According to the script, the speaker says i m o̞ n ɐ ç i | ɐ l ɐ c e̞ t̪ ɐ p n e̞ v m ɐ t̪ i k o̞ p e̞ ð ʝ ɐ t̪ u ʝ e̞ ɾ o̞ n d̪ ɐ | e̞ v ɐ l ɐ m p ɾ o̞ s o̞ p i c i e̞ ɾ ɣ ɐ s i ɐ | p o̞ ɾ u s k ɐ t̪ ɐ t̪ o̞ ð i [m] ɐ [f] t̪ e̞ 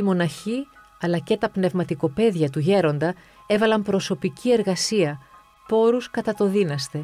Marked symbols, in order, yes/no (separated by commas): no, no